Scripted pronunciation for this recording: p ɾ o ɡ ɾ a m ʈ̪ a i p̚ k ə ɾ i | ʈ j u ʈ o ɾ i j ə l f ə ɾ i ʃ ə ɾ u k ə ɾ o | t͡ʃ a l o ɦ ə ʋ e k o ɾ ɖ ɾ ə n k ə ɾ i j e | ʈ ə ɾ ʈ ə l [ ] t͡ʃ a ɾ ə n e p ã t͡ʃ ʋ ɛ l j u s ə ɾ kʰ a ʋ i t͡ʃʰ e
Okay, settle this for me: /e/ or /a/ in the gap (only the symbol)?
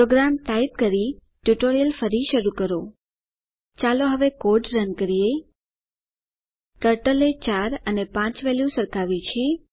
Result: e